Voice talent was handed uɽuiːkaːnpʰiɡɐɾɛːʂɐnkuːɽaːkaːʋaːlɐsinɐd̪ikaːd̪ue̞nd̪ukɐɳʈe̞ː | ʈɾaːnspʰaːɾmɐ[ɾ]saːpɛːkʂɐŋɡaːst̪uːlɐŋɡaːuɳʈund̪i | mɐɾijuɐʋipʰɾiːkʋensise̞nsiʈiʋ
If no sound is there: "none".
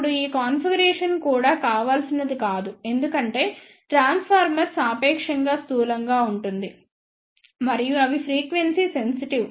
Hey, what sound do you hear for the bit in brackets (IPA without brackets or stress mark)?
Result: ɾ